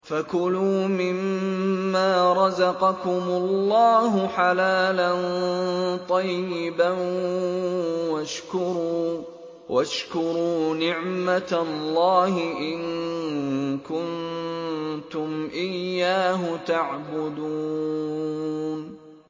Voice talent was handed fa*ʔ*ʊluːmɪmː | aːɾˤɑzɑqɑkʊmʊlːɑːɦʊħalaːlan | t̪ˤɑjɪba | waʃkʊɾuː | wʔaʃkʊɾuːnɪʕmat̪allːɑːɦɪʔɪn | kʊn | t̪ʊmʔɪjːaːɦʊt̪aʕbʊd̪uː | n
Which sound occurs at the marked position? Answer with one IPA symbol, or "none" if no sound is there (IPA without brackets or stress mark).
k